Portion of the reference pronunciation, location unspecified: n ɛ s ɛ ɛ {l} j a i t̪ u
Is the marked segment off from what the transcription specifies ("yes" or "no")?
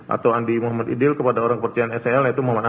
no